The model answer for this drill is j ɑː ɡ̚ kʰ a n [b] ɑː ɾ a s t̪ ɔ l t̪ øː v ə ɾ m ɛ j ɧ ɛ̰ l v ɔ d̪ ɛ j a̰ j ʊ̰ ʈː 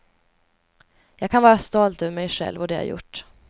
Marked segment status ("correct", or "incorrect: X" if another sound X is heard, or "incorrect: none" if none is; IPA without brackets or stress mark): incorrect: v